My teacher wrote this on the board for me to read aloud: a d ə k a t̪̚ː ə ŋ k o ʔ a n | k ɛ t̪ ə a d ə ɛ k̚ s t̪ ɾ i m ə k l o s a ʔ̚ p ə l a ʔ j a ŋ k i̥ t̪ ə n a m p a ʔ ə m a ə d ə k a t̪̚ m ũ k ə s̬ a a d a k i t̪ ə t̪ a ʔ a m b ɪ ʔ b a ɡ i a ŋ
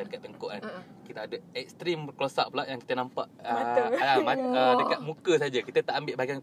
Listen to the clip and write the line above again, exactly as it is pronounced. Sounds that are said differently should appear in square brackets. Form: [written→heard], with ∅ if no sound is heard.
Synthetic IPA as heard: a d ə k a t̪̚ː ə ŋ k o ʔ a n | k [ɛ→i] t̪ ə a d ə ɛ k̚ s t̪ ɾ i m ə k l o s a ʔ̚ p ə l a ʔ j a ŋ k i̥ t̪ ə n a m p a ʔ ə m a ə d ə k a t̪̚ m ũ k ə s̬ a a [d→d͡ʒ] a k i t̪ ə t̪ a ʔ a m b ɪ ʔ b a ɡ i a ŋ